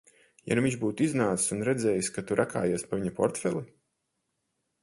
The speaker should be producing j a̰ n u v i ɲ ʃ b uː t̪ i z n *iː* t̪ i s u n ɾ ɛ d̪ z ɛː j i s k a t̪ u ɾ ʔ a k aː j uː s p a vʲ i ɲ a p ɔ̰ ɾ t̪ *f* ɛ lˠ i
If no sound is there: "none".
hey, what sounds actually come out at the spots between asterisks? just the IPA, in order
aː, f

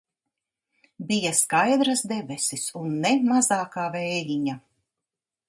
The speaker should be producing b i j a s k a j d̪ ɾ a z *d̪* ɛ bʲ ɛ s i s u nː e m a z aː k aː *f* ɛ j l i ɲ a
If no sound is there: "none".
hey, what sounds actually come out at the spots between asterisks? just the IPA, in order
d̪, v

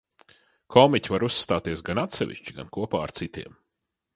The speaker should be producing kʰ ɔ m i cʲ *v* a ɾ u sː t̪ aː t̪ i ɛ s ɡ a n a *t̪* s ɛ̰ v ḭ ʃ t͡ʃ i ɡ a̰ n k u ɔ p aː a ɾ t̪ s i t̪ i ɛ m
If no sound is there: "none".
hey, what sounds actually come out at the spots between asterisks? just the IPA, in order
v, t̪

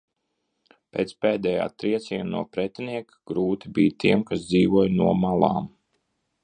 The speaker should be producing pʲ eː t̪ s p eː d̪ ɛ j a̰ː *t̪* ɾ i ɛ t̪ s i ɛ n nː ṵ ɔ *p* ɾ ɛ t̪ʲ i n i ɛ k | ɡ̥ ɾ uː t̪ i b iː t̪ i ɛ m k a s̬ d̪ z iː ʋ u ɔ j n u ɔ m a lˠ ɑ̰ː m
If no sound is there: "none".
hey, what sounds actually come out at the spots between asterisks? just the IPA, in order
t̪, p

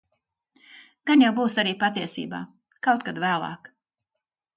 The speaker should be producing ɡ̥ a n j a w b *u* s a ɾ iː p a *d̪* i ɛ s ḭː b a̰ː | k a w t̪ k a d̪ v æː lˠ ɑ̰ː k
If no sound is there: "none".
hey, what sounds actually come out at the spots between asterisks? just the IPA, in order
uː, t̪

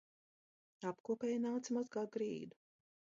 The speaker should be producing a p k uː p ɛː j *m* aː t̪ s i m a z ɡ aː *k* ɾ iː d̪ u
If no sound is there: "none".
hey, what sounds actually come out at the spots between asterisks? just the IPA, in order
n, ɡ

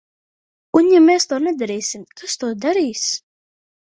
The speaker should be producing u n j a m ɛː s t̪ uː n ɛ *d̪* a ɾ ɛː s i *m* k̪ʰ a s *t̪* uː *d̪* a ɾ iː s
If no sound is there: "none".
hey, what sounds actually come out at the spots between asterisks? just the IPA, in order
d̪, m, t̪, d̪

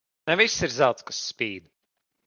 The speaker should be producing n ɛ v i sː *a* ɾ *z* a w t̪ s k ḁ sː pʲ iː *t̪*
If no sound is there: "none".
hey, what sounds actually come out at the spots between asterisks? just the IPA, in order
i, z, d̪

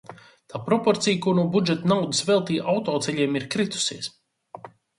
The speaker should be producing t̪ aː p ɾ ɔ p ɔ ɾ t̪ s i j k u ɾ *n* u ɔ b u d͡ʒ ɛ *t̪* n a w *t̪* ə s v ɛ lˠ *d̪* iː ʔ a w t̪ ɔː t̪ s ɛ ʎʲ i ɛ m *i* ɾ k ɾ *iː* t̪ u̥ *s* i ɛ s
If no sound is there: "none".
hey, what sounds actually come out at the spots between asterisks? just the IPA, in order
n, t̪, d̪, t̪, i, i, s

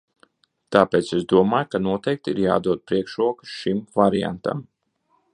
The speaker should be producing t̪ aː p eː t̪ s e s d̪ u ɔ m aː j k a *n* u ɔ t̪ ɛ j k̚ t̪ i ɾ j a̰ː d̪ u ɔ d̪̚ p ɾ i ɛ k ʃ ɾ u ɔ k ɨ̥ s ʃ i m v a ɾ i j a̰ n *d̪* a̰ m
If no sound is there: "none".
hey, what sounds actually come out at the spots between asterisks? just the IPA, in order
n, t̪

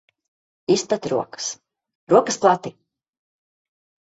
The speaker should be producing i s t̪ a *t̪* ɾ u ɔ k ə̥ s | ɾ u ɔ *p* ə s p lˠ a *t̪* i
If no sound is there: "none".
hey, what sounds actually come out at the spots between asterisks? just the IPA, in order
t̪, k, t̪

